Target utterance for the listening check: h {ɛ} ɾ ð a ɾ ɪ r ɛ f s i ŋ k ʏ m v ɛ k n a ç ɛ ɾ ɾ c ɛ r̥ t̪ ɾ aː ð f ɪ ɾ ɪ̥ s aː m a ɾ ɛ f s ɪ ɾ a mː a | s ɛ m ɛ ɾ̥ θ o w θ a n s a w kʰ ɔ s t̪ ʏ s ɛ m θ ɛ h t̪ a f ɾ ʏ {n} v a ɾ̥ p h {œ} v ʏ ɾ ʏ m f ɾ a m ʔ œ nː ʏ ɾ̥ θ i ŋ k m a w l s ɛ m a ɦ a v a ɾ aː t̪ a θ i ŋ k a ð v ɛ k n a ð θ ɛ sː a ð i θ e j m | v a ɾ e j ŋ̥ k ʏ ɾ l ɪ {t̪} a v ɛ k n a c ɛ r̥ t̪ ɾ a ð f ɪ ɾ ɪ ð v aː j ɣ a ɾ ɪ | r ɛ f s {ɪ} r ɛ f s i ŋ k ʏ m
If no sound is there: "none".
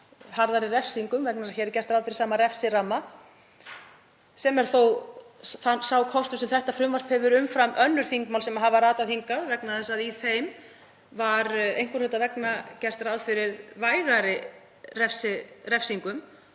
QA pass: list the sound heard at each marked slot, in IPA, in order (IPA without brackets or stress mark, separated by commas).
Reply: a, m, ɛ, t̪, ɪ